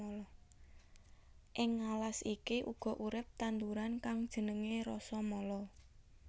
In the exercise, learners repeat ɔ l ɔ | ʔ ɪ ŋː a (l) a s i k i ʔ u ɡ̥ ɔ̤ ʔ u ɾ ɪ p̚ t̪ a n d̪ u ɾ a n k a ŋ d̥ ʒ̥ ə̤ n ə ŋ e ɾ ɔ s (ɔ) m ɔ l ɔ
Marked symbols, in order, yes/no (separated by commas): yes, yes